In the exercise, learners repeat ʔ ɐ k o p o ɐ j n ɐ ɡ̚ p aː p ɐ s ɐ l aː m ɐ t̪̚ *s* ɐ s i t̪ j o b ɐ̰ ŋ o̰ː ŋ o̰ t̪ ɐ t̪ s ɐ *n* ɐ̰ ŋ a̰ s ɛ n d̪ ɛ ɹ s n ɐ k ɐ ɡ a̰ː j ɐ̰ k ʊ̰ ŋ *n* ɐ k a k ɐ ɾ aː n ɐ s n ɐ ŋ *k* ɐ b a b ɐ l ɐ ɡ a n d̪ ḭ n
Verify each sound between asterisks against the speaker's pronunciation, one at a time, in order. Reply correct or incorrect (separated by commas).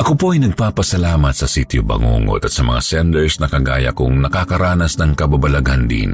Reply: correct, incorrect, correct, correct